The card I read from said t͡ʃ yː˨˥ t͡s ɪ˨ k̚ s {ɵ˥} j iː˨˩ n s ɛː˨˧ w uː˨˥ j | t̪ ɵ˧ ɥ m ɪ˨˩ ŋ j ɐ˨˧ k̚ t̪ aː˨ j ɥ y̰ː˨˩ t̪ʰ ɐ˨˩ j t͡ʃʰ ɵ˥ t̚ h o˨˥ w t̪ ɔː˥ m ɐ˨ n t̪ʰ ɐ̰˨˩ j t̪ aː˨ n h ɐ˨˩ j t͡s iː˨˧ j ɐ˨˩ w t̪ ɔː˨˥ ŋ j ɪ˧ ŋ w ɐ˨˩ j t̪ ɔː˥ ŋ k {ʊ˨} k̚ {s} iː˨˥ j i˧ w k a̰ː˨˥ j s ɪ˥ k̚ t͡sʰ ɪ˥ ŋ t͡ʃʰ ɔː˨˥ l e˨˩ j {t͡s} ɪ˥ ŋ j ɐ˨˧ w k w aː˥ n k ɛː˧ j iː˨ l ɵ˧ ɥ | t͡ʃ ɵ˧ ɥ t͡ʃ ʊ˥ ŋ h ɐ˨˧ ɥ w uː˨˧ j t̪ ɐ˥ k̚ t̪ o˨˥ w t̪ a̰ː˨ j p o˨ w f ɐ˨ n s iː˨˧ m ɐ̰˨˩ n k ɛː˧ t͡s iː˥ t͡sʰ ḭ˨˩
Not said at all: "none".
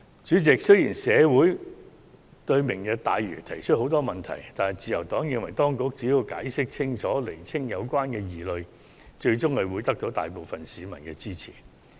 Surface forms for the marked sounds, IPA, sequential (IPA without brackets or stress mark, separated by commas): ɵ˥, ʊ˧˥, t͡s, t͡sʰ